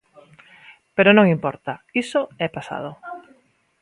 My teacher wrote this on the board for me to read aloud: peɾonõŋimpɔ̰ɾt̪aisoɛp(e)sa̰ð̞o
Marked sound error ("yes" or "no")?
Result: yes